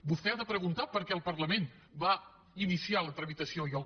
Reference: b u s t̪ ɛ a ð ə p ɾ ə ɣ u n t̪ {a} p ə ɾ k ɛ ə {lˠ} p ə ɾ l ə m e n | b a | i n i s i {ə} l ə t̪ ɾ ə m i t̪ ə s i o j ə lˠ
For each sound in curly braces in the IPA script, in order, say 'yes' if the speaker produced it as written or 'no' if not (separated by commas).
yes, yes, no